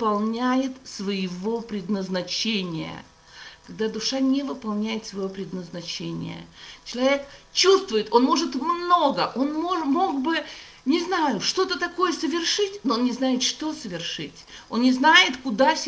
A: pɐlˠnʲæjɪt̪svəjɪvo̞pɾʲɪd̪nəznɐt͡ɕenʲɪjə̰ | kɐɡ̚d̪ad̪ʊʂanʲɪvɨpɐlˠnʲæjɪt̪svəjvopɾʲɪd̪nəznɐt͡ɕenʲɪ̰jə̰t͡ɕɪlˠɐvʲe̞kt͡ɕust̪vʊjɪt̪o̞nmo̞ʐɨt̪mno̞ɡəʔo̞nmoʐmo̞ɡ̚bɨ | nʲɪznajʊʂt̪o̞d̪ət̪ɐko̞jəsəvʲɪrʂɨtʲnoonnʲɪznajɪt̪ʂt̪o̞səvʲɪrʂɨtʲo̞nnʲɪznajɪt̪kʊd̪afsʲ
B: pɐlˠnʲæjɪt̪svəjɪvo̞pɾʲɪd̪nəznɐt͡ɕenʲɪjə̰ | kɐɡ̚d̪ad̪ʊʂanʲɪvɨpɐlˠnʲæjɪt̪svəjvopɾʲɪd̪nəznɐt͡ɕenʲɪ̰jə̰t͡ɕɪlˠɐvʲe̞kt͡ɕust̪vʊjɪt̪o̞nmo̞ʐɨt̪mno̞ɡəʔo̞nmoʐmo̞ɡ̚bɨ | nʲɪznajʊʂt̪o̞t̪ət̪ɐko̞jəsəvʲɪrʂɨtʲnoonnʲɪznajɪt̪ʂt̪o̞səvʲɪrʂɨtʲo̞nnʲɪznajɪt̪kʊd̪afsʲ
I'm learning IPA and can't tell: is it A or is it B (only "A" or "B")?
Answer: B